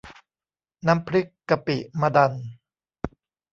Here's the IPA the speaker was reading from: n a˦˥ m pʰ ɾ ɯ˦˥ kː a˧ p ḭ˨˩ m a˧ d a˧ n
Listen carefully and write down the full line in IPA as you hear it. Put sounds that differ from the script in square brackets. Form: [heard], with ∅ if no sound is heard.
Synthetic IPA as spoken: n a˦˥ m pʰ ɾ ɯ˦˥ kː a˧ p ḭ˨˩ m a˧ d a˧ n